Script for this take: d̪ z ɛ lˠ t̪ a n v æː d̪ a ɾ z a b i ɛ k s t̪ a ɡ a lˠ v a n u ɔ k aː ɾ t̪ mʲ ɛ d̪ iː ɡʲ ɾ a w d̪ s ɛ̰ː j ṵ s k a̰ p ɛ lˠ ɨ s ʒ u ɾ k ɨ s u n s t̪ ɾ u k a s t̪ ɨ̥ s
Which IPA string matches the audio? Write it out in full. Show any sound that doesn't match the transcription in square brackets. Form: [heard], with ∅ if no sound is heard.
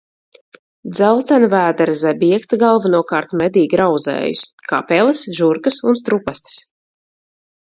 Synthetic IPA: d̪ z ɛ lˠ t̪ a n v æː d̪ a ɾ z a b i ɛ k s t̪ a ɡ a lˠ v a n u ɔ k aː ɾ t̪ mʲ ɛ d̪ iː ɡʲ ɾ a w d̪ [z] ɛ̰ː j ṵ s k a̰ p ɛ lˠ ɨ s ʒ u ɾ k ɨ s u n s t̪ ɾ u [p] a s t̪ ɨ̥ s